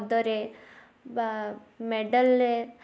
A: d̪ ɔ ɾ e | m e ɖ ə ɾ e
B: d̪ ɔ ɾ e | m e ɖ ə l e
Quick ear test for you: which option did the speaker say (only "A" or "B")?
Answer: B